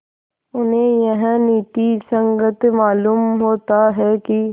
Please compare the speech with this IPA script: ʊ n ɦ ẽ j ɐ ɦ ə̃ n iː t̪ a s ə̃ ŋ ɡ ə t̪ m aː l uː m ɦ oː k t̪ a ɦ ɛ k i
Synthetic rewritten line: ʊ n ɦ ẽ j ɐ ɦ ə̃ n iː t̪ i s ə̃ ŋ ɡ ə t̪ m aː l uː m ɦ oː t̪ a ɦ ɛ k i